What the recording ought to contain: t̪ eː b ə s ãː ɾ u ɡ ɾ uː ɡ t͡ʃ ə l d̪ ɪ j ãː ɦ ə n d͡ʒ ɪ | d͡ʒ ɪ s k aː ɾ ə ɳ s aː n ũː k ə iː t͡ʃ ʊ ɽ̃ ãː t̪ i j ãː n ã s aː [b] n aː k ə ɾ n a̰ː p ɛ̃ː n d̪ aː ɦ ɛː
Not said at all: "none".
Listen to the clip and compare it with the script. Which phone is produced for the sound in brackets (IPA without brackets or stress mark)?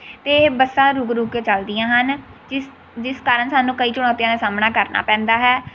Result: m